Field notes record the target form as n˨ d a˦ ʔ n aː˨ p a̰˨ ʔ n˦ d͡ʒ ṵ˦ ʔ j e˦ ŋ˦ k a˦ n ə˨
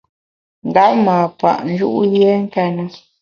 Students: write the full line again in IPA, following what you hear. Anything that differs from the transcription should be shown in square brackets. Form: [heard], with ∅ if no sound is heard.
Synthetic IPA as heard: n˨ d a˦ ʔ [m] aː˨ p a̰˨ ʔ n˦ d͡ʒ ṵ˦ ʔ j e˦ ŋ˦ k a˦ n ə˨